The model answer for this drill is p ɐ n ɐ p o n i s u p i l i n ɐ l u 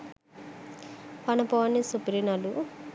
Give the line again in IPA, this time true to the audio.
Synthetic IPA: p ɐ n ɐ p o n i s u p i ɾ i n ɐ l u